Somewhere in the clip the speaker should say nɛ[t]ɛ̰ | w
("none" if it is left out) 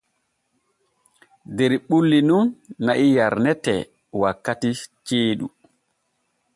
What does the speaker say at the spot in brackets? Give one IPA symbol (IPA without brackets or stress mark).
t